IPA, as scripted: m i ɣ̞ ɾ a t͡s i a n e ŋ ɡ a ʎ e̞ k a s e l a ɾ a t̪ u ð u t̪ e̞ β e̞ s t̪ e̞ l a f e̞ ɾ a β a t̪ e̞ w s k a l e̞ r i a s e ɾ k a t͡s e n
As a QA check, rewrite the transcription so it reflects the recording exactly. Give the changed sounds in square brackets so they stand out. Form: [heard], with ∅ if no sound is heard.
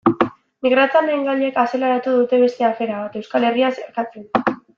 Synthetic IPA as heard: m i ɣ̞ ɾ a t͡s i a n e ŋ ɡ a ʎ e̞ k a s e l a ɾ a t̪ u ð u t̪ e̞ β e̞ s t̪ e̞ [∅] a f e̞ ɾ a β a t̪ e̞ w s k a l e̞ r i a s e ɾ k a t͡s e n